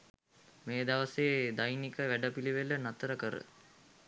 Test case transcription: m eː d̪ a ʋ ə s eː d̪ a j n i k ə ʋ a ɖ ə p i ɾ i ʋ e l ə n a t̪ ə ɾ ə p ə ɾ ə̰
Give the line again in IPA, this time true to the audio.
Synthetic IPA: m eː d̪ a ʋ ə s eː d̪ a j n i k ə ʋ æ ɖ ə p i l i ʋ e l ə n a t̪ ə ɾ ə k ə ɾ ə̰